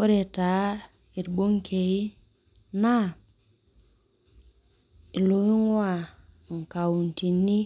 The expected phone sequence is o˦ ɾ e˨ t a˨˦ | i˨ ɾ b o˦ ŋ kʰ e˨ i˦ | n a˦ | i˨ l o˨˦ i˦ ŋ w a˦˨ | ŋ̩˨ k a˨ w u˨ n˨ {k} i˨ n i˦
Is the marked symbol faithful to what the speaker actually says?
no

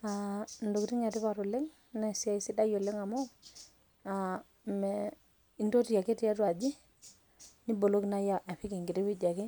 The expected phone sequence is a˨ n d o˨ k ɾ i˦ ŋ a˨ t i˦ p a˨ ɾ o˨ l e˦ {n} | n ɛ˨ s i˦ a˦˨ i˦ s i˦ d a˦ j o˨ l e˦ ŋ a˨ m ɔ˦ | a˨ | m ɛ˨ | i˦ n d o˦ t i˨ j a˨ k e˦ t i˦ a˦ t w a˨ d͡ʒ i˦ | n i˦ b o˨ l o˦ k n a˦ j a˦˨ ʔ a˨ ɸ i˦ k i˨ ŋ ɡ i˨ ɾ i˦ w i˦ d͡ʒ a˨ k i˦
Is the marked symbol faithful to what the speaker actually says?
no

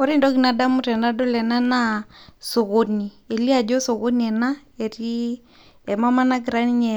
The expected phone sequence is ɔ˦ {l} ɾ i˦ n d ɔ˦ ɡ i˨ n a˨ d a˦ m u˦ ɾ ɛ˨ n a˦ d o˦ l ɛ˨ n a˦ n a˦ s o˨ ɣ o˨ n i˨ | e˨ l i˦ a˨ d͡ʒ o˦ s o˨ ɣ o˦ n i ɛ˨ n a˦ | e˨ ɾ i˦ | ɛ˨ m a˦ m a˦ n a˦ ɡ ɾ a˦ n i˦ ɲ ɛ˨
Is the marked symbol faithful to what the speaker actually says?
no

